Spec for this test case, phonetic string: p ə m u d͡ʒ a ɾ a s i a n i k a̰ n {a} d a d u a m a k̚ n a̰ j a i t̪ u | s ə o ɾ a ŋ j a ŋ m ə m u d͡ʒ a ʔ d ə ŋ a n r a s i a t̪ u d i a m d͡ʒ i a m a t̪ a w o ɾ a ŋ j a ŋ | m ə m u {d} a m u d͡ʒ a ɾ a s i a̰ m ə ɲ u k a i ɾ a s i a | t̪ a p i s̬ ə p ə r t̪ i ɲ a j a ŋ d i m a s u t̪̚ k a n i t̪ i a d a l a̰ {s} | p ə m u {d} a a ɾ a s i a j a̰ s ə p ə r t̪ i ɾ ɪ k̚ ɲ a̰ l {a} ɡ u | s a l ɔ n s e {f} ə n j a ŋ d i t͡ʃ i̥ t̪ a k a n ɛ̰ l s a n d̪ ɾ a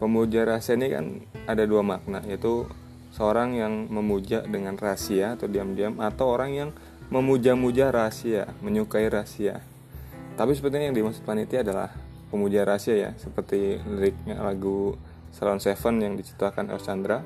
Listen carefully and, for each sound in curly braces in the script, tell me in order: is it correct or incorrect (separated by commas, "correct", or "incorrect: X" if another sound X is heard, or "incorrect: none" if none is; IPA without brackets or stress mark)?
correct, incorrect: d͡ʒ, incorrect: h, incorrect: d͡ʒ, correct, correct